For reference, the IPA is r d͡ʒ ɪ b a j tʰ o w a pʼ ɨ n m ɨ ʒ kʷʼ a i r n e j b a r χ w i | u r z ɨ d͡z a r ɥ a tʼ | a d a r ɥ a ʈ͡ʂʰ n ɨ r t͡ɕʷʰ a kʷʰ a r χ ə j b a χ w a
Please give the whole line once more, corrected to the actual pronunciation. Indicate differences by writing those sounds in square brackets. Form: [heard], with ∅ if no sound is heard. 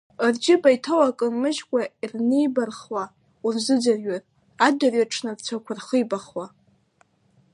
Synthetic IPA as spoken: r d͡ʒ ɪ b a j tʰ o w a [kʼ] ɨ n m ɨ ʒ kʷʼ a i r n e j b a r χ w [a] | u r z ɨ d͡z a r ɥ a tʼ | a d a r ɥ a ʈ͡ʂʰ n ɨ r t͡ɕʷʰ a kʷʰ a r χ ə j b a χ w a